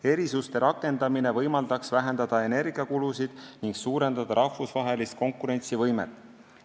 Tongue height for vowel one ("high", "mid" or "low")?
mid